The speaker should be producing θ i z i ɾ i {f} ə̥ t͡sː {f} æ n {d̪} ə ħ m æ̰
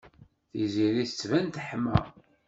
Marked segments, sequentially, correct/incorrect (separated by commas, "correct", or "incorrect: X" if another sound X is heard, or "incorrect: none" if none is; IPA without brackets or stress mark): incorrect: θ, incorrect: v, incorrect: t̪